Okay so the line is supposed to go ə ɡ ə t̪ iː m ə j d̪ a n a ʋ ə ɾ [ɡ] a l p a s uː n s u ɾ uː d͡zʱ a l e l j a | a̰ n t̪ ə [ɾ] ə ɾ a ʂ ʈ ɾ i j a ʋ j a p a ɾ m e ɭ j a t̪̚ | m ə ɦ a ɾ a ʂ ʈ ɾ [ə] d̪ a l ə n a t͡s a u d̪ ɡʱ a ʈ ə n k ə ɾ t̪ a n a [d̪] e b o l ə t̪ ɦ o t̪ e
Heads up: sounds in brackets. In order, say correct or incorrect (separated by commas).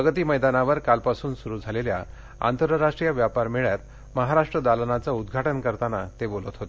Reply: incorrect, correct, correct, incorrect